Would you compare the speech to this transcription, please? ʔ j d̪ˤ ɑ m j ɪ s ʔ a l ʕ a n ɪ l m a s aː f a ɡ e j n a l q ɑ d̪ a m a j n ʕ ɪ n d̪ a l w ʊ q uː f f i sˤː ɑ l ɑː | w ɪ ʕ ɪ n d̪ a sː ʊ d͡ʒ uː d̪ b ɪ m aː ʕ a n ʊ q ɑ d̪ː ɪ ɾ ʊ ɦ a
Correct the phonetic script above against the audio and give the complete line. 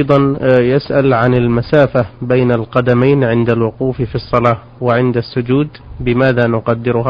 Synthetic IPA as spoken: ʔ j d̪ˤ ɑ n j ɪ s ʔ a l ʕ a n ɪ l m a s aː f a b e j n a l q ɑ d̪ a m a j n ʕ ɪ n d̪ a l w ʊ q uː f f i sˤː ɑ l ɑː | w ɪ ʕ ɪ n d̪ a sː ʊ d͡ʒ uː d̪ b ɪ m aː ð a n ʊ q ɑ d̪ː ɪ ɾ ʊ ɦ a